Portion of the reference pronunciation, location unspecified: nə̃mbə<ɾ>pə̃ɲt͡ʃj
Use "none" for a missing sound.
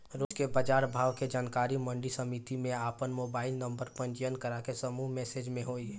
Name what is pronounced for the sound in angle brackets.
ɾ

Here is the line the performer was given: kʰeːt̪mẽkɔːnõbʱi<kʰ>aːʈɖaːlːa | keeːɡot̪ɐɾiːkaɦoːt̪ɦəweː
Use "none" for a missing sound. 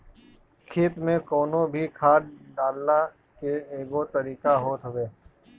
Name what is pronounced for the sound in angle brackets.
kʰ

